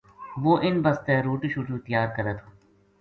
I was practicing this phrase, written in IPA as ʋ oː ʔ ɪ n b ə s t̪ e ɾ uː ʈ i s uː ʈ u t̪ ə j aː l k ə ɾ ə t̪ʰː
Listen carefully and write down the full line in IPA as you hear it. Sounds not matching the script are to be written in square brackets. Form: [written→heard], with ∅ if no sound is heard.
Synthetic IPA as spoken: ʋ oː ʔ ɪ n b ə s t̪ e ɾ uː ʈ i [s→ʃ] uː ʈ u t̪ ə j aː [l→ɾ] k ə ɾ ə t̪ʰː